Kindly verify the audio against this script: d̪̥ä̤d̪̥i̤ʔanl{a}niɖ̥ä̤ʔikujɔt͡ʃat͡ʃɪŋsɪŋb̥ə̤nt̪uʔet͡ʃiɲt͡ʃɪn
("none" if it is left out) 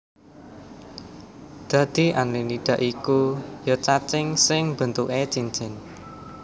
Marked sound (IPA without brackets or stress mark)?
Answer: i